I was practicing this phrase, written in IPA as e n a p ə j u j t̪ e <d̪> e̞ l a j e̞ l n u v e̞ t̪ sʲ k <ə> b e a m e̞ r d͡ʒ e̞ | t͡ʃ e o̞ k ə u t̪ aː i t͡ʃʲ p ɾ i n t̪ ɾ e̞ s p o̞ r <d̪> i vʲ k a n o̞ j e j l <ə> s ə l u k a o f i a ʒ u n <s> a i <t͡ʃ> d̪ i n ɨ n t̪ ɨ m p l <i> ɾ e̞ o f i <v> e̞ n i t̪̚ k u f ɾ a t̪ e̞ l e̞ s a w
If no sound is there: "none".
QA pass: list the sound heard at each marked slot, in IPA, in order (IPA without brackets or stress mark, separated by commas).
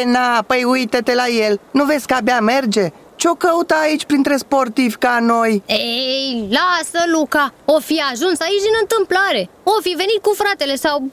t̪, a, t̪, a, s, t͡ʃ, a, v